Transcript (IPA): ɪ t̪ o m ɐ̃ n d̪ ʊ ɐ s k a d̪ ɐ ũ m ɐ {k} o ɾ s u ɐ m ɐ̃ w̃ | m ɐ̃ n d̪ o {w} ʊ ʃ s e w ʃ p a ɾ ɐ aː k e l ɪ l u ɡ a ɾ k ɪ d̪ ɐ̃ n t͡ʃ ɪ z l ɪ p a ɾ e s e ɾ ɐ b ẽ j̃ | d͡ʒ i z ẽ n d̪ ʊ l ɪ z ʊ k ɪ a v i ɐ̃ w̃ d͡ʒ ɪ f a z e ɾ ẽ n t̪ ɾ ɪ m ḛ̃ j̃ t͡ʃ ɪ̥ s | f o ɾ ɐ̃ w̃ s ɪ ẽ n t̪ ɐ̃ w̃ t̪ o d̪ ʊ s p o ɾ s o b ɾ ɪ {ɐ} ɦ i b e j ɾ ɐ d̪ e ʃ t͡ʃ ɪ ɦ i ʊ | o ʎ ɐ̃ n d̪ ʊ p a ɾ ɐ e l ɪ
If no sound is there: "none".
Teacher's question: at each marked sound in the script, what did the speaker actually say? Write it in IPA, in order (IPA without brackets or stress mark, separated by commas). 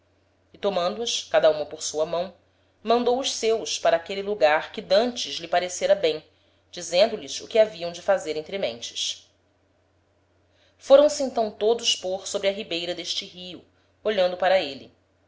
p, w, ɐ